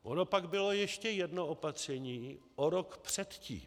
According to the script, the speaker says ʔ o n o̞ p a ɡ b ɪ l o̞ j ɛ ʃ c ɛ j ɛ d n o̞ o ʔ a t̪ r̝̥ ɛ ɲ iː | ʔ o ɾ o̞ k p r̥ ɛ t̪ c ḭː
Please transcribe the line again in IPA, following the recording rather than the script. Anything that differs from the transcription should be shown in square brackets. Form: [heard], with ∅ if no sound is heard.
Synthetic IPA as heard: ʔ o n o̞ p a ɡ b ɪ l o̞ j ɛ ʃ c ɛ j ɛ d n o̞ o [p] a t̪ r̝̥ ɛ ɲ iː | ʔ o ɾ o̞ k p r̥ ɛ t̪ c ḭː